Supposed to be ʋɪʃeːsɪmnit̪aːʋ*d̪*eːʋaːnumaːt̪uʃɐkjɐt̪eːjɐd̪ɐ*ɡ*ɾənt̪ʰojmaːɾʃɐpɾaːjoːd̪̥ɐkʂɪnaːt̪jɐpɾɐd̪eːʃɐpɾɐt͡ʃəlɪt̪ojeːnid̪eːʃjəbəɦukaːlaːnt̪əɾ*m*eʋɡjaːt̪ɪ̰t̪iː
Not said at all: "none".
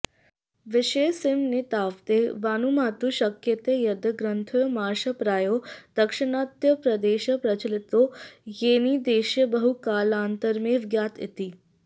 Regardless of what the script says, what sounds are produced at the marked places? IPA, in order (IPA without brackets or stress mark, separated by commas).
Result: t̪, ɡ, m